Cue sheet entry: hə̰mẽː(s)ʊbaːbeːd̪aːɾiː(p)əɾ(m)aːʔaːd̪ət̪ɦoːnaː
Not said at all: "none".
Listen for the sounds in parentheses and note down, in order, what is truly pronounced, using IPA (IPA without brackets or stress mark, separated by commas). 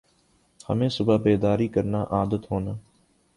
s, k, n